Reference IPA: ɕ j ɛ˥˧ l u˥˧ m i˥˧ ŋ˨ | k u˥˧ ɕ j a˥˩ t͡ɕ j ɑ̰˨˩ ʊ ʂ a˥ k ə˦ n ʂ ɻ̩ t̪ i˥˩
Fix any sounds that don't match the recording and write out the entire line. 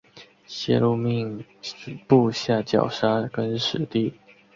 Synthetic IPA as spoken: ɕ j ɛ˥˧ l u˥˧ m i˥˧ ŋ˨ | p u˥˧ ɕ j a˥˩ t͡ɕ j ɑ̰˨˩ ʊ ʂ a˥ k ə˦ n ʂ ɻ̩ t̪ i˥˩